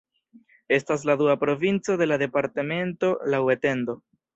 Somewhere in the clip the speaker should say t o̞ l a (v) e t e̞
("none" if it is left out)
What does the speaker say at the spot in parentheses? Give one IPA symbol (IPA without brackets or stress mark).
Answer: w